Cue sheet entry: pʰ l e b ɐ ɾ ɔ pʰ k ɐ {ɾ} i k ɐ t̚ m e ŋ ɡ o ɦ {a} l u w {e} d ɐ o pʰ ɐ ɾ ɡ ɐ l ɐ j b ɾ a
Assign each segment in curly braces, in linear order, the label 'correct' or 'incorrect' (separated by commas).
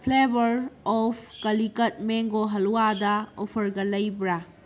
incorrect, incorrect, incorrect